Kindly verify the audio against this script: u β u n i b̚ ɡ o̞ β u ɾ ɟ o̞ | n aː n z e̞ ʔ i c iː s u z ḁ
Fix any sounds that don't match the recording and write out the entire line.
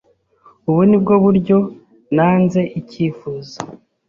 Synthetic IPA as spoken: u β u n i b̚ ɡ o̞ β u ɾ ɟ o̞ | n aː n z e̞ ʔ i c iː f u z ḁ